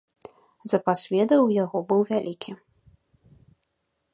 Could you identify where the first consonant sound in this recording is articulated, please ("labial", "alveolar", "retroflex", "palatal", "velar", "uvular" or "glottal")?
alveolar